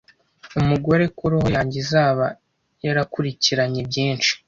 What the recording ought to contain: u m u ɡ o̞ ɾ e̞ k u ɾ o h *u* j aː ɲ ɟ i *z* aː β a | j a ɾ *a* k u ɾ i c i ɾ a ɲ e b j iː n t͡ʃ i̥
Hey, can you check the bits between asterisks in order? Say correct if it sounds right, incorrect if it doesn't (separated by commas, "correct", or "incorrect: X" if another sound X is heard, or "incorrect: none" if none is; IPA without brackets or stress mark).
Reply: incorrect: o, correct, correct